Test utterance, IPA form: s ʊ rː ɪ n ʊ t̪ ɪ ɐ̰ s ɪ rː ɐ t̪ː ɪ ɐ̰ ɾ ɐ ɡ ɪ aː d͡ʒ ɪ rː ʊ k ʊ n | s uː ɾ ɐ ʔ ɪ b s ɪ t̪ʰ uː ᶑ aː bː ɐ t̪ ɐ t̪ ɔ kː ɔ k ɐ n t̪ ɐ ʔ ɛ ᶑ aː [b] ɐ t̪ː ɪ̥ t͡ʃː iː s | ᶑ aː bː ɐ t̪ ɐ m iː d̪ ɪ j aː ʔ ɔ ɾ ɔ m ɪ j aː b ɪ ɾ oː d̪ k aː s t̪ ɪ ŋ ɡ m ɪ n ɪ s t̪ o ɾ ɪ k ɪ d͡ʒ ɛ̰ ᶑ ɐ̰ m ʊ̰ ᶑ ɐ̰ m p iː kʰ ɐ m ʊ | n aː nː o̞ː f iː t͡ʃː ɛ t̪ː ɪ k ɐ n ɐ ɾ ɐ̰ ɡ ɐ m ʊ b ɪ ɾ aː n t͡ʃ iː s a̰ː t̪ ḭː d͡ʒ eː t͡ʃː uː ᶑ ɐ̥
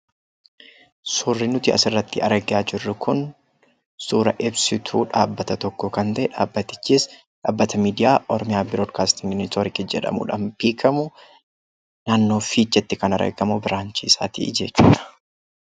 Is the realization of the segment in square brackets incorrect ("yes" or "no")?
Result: yes